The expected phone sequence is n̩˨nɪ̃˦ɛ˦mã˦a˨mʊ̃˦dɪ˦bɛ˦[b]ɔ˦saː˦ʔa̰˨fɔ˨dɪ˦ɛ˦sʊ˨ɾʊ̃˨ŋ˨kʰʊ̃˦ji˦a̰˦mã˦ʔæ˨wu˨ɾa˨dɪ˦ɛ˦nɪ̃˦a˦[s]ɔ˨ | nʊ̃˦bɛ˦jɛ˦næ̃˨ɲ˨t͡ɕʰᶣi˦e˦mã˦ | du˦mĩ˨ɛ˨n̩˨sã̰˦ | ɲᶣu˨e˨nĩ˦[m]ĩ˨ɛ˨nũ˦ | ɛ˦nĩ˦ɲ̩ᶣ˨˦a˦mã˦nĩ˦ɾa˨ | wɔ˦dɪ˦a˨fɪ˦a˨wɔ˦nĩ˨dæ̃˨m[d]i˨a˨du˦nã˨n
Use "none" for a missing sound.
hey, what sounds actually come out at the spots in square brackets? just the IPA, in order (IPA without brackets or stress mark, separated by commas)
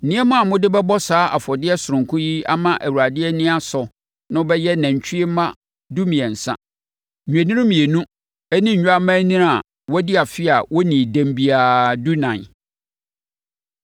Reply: b, s, m, b